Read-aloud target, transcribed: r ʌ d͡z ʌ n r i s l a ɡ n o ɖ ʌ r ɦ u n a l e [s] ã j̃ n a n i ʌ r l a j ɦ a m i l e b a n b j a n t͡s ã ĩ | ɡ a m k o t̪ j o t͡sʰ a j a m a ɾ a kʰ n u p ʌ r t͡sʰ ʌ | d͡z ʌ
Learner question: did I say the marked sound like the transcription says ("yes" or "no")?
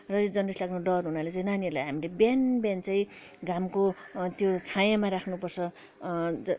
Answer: no